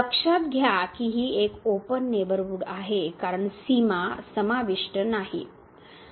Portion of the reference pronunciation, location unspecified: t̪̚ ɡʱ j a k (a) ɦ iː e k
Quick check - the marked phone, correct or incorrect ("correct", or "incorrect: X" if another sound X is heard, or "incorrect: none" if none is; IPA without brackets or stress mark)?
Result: incorrect: i